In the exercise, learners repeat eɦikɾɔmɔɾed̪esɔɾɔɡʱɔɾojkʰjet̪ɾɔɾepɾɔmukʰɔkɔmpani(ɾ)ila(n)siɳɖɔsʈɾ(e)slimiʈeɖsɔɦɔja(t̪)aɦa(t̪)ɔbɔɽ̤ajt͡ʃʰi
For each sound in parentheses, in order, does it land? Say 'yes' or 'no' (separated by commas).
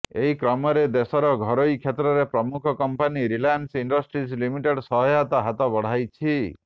yes, yes, no, yes, yes